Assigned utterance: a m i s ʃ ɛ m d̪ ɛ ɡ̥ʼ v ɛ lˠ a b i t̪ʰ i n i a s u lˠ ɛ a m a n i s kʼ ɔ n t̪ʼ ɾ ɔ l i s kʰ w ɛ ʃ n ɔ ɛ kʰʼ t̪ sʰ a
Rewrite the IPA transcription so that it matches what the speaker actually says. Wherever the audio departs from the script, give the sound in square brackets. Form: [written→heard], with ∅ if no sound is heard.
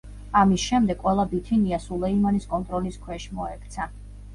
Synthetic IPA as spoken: a m i s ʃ ɛ m d̪ ɛ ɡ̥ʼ [v→w] ɛ lˠ a b i t̪ʰ i n i a s u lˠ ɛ [a→i] m a n i s kʼ ɔ n t̪ʼ ɾ ɔ l i s kʰ w ɛ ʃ [n→m] ɔ ɛ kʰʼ t̪ sʰ a